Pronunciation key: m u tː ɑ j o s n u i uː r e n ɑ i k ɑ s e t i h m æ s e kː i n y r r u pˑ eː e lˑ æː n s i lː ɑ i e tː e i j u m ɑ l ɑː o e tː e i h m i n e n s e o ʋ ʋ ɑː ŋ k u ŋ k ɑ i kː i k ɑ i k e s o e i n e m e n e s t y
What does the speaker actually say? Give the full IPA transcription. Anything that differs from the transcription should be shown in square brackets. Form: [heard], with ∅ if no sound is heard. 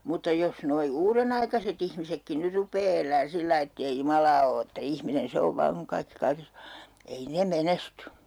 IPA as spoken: m u tː ɑ j o s n [o] i uː r e n ɑ i k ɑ s e t i h m [i] s e kː i n y r r u pˑ eː e lˑ æː n s i lː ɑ i e tː e i j u m ɑ l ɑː o e tː [æ] i h m i n e n s e o ʋ ʋ ɑː ŋ k u ŋ k ɑ i kː i k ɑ i k e s o e i n e m e n e s t y